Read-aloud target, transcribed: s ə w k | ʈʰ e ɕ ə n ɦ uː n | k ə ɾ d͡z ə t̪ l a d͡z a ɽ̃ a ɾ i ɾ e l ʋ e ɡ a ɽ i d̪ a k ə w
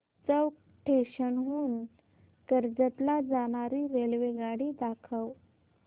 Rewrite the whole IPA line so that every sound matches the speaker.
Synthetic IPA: t͡s ə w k | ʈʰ e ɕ ə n ɦ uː n | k ə ɾ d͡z ə t̪ l a d͡z a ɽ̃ a ɾ i ɾ e l ʋ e ɡ a ɽ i d̪ a kʰ ə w